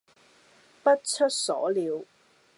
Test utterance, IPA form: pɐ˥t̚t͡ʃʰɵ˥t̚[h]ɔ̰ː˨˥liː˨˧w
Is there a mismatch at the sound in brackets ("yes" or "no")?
yes